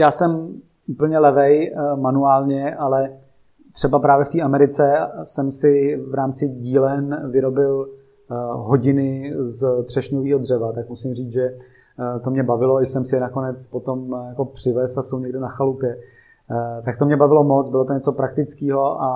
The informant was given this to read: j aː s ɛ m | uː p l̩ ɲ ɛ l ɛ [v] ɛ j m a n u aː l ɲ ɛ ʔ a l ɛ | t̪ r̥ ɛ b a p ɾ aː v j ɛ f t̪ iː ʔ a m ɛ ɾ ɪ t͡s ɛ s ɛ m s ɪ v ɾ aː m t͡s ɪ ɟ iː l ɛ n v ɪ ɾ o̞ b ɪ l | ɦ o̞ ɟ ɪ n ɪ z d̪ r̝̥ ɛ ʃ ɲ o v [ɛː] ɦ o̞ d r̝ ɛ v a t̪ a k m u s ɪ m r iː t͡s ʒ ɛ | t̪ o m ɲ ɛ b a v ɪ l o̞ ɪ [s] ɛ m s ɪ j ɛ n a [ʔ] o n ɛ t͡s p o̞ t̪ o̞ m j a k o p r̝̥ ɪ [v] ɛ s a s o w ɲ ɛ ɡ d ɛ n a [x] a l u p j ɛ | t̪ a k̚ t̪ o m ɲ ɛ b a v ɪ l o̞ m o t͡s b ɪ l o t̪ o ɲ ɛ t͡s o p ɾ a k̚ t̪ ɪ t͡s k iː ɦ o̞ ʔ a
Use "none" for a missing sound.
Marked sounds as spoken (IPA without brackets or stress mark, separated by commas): v, iː, s, k, v, x